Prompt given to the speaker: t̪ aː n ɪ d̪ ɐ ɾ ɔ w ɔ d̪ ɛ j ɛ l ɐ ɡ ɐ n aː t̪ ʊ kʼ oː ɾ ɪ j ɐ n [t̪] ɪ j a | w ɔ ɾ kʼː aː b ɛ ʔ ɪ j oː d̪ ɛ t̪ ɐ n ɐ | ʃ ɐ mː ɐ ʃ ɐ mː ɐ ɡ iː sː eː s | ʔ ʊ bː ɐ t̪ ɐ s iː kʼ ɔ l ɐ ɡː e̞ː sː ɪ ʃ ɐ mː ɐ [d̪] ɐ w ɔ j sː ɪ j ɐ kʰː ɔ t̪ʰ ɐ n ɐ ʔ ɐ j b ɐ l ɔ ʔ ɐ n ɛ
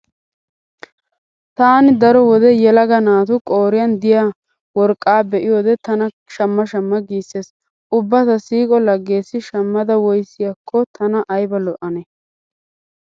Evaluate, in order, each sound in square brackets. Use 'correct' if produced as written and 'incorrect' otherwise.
incorrect, correct

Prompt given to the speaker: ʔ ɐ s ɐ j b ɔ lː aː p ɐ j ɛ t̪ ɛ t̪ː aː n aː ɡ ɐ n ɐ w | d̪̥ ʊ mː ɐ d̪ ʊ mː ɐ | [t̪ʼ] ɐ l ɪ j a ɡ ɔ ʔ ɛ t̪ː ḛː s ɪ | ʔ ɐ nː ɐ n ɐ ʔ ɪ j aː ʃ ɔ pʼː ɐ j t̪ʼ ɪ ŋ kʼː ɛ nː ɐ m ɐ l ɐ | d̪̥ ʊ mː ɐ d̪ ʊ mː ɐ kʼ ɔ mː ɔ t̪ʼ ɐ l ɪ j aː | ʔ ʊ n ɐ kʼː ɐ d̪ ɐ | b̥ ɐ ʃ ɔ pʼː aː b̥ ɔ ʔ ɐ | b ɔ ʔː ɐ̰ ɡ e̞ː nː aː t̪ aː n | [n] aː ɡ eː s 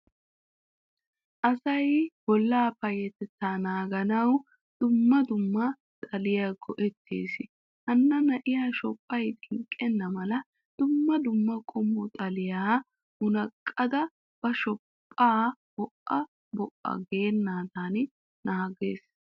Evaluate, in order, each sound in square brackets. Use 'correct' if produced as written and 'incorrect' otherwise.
correct, correct

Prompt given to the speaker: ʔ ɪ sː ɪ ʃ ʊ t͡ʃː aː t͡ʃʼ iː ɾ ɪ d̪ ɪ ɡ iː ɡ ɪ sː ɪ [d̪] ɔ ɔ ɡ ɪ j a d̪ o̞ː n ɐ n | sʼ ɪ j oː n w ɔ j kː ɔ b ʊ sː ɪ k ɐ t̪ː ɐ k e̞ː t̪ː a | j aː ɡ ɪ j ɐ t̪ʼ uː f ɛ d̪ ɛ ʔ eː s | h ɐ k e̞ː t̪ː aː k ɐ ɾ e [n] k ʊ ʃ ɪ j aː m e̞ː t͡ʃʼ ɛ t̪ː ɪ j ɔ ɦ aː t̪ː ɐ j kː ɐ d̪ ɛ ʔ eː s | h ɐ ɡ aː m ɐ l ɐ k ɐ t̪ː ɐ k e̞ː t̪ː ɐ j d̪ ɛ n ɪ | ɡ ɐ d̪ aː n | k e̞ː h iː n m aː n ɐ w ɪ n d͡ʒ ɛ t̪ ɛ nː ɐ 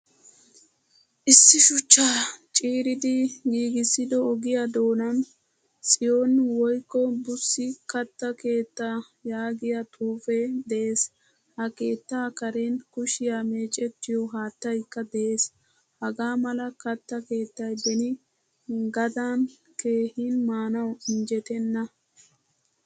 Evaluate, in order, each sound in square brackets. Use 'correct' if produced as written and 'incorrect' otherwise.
correct, correct

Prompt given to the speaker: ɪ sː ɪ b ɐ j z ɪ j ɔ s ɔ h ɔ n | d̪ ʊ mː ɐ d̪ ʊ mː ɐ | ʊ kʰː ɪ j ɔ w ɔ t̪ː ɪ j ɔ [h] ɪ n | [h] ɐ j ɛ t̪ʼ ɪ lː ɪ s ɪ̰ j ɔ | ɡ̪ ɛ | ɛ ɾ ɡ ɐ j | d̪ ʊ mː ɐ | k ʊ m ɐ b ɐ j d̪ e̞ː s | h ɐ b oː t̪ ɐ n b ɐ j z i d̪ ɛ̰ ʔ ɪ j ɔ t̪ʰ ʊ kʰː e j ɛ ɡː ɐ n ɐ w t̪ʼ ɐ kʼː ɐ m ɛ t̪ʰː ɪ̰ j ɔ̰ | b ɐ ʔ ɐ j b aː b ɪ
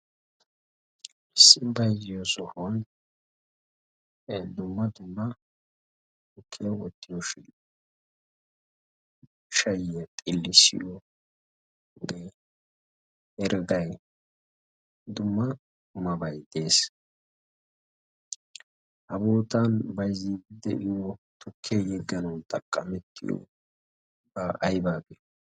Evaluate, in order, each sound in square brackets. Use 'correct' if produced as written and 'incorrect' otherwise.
incorrect, incorrect

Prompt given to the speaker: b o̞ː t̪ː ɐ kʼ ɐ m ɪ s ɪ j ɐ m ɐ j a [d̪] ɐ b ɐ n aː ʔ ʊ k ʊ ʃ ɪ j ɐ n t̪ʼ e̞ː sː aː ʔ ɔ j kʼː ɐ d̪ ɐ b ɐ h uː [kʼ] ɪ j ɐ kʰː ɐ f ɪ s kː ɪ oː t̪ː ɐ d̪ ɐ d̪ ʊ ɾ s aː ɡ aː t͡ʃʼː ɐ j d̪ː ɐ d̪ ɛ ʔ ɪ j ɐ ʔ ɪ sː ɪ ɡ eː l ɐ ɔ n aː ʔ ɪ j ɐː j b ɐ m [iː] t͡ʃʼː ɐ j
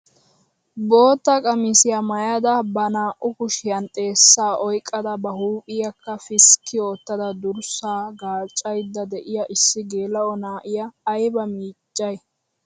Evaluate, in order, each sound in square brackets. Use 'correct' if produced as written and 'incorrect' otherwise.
correct, incorrect, correct

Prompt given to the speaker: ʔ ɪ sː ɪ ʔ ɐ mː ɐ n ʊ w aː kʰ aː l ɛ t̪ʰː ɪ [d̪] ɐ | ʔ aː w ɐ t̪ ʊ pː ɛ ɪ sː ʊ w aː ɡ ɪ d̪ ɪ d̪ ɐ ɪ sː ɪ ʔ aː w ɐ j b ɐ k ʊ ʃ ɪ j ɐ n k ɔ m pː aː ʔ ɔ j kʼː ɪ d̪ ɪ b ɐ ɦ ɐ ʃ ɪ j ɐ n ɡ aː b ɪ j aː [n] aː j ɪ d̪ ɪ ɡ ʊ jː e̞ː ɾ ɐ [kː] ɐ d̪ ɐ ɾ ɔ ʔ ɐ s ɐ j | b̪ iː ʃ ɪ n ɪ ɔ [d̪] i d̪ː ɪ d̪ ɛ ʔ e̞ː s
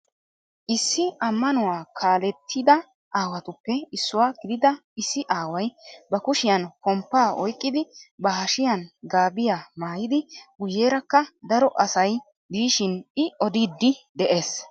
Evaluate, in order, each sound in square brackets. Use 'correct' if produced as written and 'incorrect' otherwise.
correct, incorrect, correct, correct

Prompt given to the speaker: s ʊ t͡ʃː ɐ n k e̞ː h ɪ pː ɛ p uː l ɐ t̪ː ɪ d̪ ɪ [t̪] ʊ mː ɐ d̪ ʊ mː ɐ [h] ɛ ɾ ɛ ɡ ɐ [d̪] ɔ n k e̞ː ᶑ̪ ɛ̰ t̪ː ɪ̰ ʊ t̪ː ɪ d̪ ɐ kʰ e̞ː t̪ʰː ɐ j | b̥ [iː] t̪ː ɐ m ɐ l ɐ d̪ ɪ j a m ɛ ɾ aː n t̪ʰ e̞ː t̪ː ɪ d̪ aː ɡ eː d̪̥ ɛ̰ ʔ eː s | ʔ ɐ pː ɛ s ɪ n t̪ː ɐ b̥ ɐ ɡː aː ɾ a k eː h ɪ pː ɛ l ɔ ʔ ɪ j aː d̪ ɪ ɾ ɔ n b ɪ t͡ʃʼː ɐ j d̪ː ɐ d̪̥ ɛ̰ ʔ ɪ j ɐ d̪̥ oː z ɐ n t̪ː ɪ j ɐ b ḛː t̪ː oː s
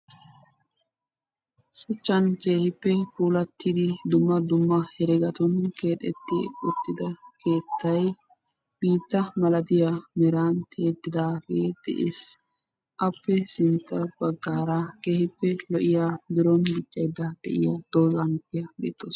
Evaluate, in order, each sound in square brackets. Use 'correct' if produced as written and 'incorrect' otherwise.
incorrect, correct, incorrect, correct

